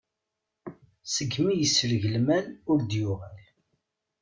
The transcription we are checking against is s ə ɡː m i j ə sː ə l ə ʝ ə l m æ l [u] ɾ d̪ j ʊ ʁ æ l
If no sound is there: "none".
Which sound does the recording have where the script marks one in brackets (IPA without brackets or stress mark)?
ʊ